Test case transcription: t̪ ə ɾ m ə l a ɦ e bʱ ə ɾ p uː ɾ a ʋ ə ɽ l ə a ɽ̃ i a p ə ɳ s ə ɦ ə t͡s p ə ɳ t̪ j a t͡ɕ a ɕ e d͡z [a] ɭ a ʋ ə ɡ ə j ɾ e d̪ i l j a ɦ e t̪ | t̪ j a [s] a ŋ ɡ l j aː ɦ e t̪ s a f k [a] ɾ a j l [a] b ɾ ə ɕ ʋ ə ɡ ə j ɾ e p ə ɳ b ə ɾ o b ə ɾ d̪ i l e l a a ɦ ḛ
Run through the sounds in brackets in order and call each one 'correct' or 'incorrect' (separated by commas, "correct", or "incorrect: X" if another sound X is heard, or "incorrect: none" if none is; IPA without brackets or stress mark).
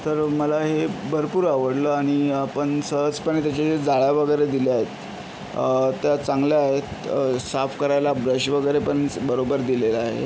correct, incorrect: t͡s, incorrect: ə, correct